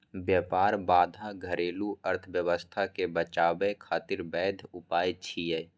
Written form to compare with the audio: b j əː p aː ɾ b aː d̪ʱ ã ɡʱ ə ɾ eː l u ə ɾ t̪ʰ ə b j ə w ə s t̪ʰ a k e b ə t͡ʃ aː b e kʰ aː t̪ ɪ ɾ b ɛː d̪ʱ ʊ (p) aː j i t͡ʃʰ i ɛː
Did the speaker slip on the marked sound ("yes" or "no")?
no